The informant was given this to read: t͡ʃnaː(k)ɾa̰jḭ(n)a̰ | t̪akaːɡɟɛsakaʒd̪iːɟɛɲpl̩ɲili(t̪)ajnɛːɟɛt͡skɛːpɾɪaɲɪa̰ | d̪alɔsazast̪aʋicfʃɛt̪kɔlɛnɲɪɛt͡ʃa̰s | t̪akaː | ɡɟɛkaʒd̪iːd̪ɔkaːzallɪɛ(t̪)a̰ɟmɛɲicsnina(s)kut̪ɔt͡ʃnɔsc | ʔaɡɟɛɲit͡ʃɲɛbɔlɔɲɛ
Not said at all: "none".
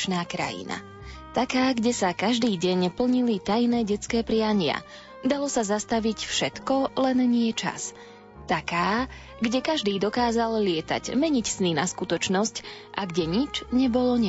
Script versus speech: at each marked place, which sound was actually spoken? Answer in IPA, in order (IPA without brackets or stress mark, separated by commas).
k, n, t̪, t̪, s